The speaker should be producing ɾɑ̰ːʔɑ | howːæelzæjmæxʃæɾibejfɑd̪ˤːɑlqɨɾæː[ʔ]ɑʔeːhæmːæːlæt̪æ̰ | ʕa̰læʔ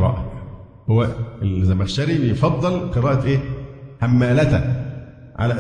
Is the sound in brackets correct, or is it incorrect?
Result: correct